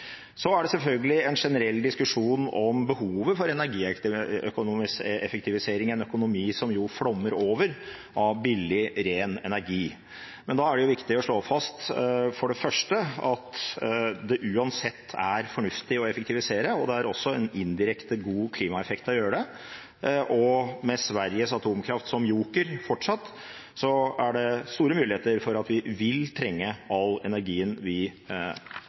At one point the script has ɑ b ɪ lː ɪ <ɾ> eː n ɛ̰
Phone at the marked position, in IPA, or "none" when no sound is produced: ɾ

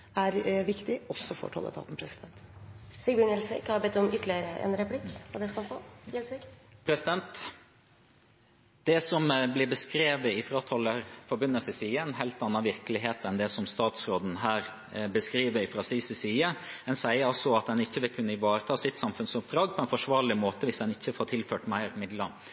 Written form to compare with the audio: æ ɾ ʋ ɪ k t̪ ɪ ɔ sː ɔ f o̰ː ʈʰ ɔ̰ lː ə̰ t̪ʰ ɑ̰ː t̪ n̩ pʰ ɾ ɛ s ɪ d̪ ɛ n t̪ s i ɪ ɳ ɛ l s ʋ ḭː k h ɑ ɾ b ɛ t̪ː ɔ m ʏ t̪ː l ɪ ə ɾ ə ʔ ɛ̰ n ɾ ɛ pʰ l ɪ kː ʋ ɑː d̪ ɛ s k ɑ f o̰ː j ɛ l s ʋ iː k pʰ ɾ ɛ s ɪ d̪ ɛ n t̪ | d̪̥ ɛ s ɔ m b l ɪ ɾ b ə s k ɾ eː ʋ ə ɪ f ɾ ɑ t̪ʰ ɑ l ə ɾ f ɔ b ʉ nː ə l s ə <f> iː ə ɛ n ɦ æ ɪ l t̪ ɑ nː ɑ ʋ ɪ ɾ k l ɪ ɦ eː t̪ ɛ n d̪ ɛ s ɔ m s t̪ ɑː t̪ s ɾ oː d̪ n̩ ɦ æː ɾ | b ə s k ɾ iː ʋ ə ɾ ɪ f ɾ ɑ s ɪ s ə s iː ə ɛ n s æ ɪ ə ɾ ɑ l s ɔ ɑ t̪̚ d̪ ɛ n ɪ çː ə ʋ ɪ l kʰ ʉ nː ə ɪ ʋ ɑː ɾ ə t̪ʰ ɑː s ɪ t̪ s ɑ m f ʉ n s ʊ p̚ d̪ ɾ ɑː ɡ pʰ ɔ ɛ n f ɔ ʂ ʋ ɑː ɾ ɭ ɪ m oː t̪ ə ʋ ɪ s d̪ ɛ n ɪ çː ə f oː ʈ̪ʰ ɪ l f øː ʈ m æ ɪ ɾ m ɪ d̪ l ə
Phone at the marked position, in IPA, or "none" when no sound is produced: s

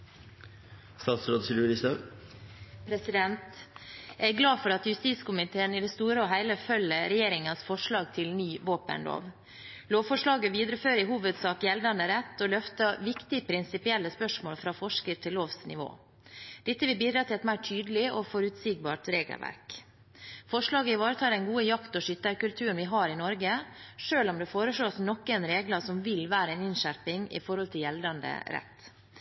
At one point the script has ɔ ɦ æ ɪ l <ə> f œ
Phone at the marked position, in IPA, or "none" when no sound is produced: ə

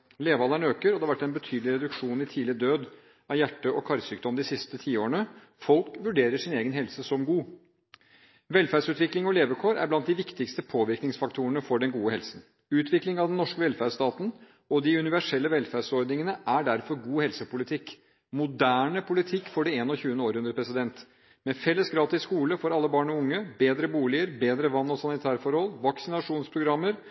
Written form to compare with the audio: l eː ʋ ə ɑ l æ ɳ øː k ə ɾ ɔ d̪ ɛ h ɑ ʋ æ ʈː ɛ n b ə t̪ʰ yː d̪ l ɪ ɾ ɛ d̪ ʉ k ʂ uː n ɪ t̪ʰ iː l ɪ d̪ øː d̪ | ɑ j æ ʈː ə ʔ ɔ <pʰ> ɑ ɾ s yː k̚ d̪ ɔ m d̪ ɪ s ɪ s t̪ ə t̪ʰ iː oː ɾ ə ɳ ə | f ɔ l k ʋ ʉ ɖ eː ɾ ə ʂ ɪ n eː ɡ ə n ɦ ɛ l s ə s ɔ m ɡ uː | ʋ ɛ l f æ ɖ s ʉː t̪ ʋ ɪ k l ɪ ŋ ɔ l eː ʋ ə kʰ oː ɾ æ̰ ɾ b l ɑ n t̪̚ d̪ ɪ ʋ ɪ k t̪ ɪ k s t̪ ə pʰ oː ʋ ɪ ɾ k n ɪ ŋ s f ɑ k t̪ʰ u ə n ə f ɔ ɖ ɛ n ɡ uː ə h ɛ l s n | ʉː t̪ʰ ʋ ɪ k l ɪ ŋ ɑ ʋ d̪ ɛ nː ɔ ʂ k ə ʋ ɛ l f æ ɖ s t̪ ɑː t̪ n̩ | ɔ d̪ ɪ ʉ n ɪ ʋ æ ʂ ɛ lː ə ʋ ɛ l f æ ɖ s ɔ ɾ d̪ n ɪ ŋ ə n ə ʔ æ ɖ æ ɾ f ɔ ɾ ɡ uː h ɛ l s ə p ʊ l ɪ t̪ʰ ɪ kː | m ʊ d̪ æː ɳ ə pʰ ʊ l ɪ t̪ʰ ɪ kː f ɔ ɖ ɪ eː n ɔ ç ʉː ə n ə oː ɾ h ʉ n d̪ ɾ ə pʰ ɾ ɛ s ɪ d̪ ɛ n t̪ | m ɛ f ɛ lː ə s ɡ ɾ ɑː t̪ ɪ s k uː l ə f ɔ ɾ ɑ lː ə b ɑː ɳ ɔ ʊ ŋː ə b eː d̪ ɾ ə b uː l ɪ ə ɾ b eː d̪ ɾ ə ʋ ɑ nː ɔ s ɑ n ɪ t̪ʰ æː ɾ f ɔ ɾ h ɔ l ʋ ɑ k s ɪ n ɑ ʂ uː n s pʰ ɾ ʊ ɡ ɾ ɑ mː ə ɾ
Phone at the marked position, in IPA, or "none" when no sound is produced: kʰ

